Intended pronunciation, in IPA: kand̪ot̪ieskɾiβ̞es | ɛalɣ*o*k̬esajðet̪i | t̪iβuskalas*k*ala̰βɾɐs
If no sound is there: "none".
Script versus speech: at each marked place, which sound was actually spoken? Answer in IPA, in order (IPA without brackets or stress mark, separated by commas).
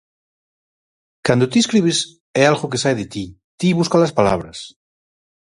o, p